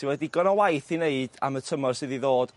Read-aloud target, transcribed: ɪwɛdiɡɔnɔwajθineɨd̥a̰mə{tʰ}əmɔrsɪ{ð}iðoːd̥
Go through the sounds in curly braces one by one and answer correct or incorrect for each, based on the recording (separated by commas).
correct, correct